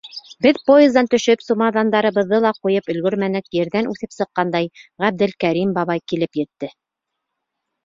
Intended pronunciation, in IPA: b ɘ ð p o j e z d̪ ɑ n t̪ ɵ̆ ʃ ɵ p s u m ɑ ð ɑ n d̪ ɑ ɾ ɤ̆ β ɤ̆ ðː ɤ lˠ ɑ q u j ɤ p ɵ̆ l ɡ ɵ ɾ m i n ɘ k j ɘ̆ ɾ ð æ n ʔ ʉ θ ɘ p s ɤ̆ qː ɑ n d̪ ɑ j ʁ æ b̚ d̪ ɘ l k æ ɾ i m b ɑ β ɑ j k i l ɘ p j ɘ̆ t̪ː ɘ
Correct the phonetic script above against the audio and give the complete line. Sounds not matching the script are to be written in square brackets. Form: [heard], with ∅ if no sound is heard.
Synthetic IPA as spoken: b ɘ ð p o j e z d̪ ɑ n t̪ ɵ̆ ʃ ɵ p s u m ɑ ð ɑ n d̪ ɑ ɾ ɤ̆ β ɤ̆ ðː ɤ lˠ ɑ q u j ɤ p ɵ̆ l ɡ ɵ ɾ m [æ] n ɘ k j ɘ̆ ɾ ð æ n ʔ ʉ θ ɘ p s ɤ̆ qː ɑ n d̪ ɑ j ʁ æ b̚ d̪ ɘ l k æ ɾ i m b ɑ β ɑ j k i l ɘ p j ɘ̆ t̪ː ɘ